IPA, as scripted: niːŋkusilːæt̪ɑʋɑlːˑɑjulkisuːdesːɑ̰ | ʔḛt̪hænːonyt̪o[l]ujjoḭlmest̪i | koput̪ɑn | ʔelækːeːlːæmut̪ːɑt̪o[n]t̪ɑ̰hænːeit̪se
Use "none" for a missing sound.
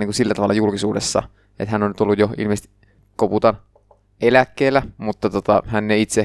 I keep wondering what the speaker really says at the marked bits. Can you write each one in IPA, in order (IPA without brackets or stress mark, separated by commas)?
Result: lː, none